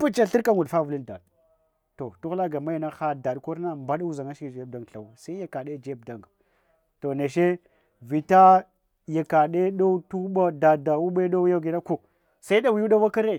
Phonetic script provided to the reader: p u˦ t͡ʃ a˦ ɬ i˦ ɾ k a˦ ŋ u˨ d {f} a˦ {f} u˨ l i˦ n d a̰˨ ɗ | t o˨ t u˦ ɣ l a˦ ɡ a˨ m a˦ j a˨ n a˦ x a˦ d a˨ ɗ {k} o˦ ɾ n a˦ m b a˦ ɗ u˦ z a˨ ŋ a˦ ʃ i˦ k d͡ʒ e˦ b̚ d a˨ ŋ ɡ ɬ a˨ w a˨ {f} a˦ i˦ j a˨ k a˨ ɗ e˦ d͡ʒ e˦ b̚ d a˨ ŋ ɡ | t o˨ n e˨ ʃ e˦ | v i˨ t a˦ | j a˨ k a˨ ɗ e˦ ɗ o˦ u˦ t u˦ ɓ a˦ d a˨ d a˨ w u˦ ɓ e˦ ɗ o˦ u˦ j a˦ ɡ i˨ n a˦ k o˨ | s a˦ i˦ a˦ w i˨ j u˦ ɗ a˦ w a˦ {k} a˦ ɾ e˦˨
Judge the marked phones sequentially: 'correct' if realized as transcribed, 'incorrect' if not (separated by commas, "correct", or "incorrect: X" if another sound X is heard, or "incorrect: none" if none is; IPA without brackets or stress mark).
correct, incorrect: v, correct, incorrect: s, correct